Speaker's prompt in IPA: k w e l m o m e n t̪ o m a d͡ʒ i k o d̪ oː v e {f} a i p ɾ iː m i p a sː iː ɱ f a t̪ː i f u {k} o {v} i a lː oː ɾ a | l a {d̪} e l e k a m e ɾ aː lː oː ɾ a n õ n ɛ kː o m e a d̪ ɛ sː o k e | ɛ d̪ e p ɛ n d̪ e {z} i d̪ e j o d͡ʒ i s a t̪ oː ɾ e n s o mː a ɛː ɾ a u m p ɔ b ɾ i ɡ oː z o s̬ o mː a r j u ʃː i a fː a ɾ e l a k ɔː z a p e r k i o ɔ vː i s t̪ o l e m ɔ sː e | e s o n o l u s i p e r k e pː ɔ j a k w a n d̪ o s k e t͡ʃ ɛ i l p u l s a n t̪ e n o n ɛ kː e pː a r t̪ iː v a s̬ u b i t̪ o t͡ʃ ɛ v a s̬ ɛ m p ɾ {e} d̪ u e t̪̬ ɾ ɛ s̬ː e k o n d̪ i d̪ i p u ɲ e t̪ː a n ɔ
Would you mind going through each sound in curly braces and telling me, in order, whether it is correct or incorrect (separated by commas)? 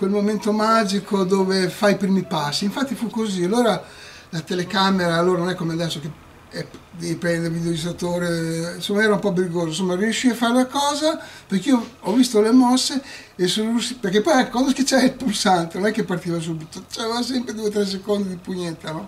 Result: correct, correct, incorrect, incorrect, incorrect, correct